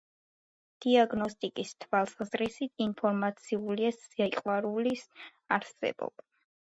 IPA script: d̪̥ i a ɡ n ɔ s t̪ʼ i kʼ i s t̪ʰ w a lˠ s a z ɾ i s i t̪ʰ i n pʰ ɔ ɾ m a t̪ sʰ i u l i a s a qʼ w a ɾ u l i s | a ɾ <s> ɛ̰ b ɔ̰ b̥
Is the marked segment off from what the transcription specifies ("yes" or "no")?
no